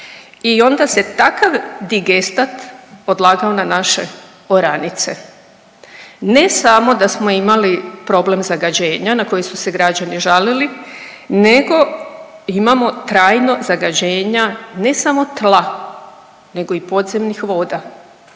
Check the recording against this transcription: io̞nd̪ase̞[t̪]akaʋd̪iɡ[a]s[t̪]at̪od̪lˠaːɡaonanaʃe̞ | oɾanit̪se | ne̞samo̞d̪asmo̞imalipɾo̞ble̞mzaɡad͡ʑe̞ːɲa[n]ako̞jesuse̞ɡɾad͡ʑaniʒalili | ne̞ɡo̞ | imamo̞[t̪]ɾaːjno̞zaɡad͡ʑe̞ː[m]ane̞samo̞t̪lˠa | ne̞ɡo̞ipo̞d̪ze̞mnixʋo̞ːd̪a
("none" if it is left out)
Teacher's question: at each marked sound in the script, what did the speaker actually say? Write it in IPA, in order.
t̪, e, t̪, n, t̪, ɲ

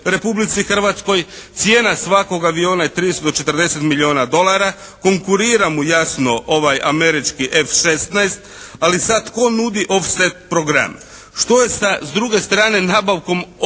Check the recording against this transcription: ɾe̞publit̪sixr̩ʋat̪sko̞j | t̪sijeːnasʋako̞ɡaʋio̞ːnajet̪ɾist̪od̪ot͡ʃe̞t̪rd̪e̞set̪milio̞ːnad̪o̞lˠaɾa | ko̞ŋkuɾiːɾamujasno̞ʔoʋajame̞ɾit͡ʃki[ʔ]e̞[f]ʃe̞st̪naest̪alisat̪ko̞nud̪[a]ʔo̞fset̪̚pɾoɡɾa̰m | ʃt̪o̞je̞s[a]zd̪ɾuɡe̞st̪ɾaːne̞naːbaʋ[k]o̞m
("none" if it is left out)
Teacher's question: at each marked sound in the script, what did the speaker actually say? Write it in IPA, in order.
ʔ, f, i, a, k

